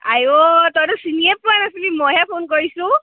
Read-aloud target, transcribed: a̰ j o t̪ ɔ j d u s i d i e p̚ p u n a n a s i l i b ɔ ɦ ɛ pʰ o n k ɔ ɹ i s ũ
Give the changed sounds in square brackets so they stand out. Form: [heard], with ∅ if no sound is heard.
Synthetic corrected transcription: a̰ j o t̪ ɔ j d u s i [n] i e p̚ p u [∅] a n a s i l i [m] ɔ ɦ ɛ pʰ o n k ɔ ɹ i s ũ

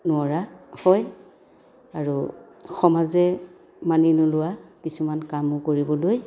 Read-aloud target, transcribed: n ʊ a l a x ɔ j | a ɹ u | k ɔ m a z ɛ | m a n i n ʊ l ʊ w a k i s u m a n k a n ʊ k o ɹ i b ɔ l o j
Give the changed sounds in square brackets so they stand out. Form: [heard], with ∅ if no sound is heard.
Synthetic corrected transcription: n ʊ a [ɹ] a [h] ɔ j | a ɹ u | [x] ɔ m a z ɛ | m a n i n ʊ l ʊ w a k i s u m a n k a [m] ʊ k o ɹ i b ɔ l o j

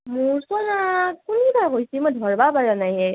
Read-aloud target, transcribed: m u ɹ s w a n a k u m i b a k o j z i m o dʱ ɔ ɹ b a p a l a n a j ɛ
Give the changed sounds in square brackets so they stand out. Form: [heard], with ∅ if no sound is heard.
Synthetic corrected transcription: m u ɹ s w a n a k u [n] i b a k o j [s] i m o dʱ ɔ ɹ b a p a [ɹ] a n a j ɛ

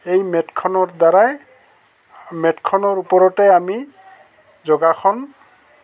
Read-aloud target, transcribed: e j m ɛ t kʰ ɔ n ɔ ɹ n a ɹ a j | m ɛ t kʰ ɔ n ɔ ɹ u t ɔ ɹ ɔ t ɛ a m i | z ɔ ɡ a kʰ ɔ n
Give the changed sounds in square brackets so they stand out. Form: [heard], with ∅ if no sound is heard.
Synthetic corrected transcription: e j m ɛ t kʰ ɔ n ɔ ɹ [d] a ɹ a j | m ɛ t kʰ ɔ n ɔ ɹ u [p] ɔ ɹ ɔ t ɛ a m i | z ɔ ɡ a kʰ ɔ n

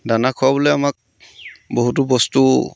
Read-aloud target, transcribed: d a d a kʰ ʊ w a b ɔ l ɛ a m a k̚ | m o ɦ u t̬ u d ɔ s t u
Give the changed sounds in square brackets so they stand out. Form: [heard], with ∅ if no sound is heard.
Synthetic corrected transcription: d a [n] a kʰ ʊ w a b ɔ l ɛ a m a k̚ | [b] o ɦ u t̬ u [b] ɔ s t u

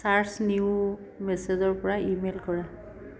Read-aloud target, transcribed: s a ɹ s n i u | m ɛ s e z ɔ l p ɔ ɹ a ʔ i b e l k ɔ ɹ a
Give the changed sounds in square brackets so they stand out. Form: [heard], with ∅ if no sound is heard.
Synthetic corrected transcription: s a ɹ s n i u | m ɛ s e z ɔ [ɹ] p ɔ ɹ a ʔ i [m] e l k ɔ ɹ a

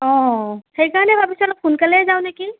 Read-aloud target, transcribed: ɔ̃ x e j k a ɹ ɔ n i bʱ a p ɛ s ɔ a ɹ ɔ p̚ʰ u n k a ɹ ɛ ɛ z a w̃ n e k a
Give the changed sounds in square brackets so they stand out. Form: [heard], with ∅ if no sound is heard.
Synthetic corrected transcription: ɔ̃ x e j k a ɹ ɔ n [ɛ] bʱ a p [i] s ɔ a [l] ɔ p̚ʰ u n k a [l] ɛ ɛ z a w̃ n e k [i]

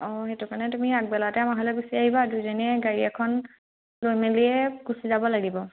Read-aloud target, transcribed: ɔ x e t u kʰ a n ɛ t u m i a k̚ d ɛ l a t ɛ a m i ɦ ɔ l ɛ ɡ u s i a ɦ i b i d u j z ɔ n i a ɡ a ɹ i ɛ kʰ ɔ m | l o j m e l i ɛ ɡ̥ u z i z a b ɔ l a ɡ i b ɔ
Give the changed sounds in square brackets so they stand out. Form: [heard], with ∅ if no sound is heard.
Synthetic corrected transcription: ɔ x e t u [k] a n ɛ t u m i a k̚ [b] ɛ l a t ɛ a m [a] ɦ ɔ l ɛ ɡ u s i a ɦ i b [a] d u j z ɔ n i [ɛ] ɡ a ɹ i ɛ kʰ ɔ [n] | l o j m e l i ɛ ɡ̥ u [s] i z a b ɔ l a ɡ i b ɔ

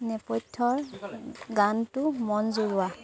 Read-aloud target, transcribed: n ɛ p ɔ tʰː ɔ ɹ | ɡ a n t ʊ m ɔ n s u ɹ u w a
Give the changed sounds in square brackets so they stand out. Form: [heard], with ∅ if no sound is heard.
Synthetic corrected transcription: n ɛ p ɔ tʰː ɔ ɹ | ɡ a n t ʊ m ɔ n [z] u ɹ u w a

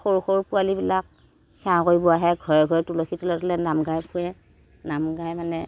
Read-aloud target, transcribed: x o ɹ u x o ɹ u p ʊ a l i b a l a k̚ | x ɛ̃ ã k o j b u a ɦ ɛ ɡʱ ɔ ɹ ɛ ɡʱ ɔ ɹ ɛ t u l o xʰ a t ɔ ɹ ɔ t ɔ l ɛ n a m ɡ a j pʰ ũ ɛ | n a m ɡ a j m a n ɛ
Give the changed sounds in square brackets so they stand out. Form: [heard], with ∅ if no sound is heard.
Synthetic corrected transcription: x o ɹ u x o ɹ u p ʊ a l i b [i] l a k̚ | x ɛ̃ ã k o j b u a ɦ ɛ ɡʱ ɔ ɹ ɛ ɡʱ ɔ ɹ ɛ t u l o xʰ [i] t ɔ [l] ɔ t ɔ l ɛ n a m ɡ a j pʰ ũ ɛ | n a m ɡ a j m a n ɛ

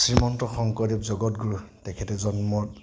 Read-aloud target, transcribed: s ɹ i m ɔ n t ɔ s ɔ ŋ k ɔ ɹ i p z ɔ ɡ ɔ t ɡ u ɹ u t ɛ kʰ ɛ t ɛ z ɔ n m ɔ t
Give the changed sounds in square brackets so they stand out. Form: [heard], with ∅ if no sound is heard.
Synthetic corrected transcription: s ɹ i m ɔ n t ɔ [x] ɔ ŋ k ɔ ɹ i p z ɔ ɡ ɔ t ɡ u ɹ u t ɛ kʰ ɛ t ɛ z ɔ n m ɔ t

